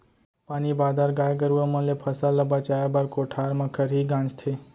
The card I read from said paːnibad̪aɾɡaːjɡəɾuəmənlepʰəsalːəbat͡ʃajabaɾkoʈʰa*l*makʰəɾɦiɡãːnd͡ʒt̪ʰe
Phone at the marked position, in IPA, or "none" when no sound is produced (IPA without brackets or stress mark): ɾ